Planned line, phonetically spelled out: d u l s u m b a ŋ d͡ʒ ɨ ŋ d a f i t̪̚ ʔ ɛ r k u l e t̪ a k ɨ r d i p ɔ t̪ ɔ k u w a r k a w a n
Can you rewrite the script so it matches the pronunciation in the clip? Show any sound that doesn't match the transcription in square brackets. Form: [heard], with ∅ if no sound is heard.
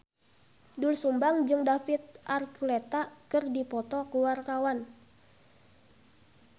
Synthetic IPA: d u l s u m b a ŋ d͡ʒ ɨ ŋ d a f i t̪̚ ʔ [a] r k u l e t̪ a k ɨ r d i p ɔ t̪ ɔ k u w a r k a w a n